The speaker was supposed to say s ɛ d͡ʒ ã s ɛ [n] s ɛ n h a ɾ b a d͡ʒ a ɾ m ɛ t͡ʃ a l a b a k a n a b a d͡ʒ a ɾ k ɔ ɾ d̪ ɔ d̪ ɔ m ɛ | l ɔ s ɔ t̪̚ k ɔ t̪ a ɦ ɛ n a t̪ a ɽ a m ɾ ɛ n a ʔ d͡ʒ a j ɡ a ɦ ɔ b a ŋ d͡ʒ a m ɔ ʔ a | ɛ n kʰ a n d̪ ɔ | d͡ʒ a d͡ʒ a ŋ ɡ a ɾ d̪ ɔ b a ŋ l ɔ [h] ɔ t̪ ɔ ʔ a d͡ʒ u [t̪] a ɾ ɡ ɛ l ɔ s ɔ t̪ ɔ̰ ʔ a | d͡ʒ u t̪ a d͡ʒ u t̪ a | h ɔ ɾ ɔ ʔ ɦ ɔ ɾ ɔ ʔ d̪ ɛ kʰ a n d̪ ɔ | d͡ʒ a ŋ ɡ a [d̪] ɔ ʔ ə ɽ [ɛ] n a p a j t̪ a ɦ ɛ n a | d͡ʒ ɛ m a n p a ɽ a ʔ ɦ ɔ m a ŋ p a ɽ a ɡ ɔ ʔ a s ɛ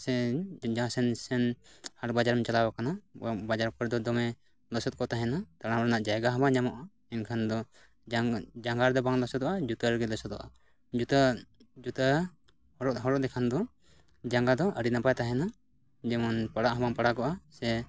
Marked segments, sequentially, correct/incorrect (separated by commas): correct, incorrect, correct, correct, incorrect